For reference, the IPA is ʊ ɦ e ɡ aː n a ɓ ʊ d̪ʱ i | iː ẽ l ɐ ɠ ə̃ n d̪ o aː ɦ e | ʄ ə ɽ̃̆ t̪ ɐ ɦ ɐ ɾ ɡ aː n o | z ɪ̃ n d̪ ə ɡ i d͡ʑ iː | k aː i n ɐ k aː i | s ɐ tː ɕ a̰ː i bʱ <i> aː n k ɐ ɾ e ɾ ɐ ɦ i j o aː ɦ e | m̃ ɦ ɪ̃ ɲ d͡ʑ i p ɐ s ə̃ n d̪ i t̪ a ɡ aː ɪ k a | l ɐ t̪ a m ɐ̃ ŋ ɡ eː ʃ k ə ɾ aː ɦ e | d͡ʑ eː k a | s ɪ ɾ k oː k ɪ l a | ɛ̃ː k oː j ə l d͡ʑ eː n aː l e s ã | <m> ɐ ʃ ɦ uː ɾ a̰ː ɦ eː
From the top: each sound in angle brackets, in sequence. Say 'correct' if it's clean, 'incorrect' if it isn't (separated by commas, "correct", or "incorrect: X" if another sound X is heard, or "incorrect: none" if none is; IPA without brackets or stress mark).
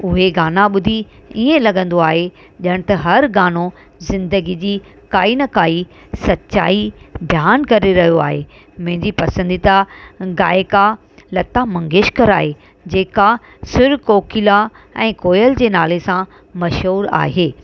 incorrect: j, correct